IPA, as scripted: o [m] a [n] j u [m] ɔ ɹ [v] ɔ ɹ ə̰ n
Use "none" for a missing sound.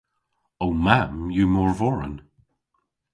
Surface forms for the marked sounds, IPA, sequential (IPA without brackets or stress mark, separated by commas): m, m, m, v